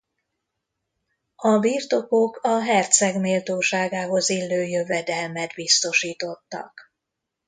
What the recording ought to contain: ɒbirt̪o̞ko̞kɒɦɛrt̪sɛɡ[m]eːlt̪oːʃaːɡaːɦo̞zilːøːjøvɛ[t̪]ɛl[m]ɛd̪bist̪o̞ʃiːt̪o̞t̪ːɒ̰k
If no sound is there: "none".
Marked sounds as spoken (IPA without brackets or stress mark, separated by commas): m, d̪, m